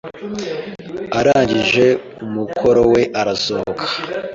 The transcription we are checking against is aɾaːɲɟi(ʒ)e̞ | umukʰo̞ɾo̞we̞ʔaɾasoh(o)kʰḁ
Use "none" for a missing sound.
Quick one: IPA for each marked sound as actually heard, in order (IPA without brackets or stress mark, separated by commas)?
ʒ, o